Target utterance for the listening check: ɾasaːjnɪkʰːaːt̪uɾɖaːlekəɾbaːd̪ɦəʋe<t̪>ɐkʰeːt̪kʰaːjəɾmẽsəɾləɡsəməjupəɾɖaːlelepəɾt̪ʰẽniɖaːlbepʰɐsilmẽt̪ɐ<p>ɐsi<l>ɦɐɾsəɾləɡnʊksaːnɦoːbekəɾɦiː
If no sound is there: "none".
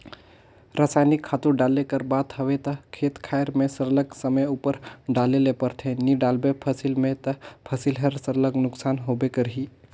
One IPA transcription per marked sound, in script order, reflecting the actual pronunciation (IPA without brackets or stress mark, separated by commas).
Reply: t̪, pʰ, l